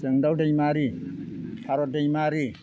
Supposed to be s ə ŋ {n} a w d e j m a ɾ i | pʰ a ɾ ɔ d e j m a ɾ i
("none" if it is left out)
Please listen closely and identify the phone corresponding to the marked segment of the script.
d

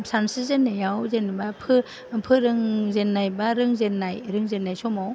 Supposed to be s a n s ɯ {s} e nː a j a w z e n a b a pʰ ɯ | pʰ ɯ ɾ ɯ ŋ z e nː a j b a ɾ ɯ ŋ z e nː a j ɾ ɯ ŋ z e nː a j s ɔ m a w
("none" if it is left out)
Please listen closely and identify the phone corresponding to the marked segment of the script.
z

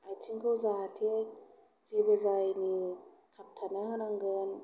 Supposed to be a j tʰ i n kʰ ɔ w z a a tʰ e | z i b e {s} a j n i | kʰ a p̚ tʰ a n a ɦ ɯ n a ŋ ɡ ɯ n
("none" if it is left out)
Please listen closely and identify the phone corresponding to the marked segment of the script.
z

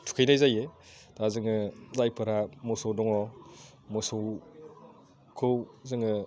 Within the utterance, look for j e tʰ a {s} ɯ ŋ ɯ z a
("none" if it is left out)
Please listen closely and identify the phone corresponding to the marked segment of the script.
z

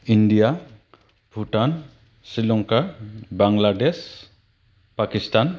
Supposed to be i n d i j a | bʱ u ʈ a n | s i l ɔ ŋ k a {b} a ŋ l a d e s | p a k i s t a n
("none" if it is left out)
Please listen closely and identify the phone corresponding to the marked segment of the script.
b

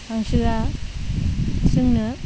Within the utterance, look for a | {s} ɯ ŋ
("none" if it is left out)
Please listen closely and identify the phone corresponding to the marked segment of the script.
s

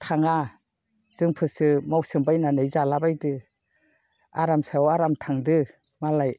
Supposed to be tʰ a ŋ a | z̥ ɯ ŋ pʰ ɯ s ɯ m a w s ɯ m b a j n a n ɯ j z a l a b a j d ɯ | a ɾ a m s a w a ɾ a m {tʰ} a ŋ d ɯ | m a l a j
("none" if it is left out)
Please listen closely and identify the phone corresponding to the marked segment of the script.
tʰ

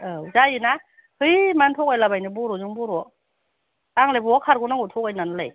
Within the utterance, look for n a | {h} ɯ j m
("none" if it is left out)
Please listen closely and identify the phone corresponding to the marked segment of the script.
h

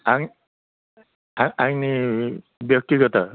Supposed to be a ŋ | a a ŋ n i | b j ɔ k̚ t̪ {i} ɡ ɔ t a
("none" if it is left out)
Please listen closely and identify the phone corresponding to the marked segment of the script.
i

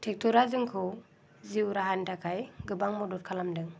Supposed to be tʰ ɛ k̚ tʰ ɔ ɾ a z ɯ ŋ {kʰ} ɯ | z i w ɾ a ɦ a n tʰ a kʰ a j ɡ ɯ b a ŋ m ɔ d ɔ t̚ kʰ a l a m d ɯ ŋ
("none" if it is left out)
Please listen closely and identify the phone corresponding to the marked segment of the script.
kʰ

